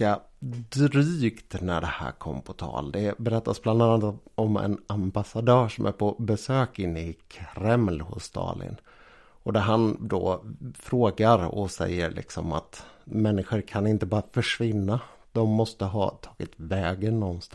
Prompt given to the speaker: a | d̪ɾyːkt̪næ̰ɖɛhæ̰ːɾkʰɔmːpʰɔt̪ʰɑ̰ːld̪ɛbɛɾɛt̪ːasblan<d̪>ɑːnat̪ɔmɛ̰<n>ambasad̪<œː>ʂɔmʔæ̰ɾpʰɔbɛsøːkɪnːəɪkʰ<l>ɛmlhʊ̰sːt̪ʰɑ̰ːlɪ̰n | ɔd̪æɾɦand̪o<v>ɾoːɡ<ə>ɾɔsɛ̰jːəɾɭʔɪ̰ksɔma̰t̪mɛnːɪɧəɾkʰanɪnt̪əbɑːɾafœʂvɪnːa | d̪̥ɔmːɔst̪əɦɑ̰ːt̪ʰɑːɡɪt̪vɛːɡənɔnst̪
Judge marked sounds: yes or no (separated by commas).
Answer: yes, yes, yes, no, no, no